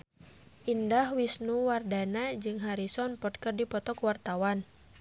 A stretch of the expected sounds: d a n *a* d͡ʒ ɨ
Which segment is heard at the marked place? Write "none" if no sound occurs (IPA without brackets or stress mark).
a